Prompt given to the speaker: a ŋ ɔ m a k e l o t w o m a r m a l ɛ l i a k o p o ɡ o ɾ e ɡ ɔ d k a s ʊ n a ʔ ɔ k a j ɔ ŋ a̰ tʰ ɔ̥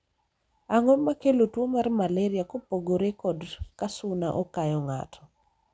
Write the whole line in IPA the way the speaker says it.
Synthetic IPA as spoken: a ŋ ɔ m a k e l o t w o m a r m a l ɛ ɾ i a k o p o ɡ o ɾ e k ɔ d k a s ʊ n a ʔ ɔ k a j ɔ ŋ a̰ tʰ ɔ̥